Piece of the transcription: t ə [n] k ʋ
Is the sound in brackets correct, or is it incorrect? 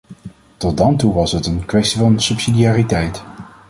correct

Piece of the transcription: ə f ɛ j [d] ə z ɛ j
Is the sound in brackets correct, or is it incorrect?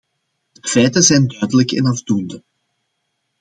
incorrect: t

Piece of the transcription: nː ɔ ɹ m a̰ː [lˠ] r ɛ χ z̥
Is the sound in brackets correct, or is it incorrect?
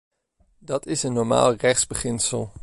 correct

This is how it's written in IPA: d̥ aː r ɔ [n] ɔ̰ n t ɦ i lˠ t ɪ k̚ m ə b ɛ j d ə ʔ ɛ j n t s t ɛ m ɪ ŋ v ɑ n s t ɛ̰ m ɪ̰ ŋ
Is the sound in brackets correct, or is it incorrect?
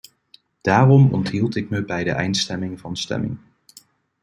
incorrect: m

